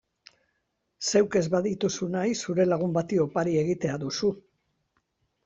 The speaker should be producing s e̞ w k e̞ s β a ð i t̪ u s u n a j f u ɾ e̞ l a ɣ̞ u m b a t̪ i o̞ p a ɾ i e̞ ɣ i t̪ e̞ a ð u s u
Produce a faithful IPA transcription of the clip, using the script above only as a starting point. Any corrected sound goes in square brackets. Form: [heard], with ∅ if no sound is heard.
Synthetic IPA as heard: s e̞ w k e̞ [z] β a ð i t̪ u s u n a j [s] u ɾ e̞ l a ɣ̞ u m b a t̪ i o̞ p a ɾ i e̞ ɣ i t̪ e̞ a ð u s u